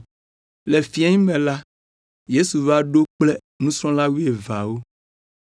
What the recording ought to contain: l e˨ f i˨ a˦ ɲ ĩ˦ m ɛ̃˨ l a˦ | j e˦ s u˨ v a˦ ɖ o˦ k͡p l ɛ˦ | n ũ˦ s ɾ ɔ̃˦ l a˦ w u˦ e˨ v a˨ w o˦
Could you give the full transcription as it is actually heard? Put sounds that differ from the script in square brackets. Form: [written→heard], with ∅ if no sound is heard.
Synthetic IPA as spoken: l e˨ f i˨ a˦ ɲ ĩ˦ m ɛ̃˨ l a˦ | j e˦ s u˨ v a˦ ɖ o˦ k͡p l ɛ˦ | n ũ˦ s ɾ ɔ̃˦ l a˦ w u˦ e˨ v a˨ w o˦

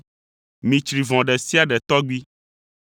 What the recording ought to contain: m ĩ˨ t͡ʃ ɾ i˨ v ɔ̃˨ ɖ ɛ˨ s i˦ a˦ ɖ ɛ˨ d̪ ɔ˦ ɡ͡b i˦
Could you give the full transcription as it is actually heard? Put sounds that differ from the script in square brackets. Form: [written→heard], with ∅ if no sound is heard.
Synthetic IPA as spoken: m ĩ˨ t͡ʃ ɾ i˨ v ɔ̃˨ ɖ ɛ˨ s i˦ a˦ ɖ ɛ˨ [d̪→t̪] ɔ˦ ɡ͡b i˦

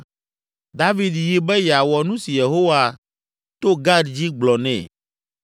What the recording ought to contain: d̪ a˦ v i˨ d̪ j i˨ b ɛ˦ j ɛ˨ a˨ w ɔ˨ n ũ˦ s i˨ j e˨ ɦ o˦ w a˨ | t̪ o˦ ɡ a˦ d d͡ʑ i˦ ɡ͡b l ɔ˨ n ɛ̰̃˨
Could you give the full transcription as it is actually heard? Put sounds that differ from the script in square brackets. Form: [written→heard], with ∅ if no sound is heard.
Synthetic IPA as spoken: d̪ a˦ v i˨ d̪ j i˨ b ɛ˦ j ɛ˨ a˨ w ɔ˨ n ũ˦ s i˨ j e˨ ɦ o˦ w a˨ | t̪ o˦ ɡ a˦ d d͡ʑ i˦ ɡ͡b l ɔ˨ n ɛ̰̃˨

